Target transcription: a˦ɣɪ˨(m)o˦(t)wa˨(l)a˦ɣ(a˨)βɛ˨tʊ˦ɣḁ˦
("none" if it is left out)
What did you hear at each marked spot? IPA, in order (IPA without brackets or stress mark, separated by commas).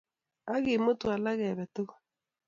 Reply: m, t, l, ɛ˨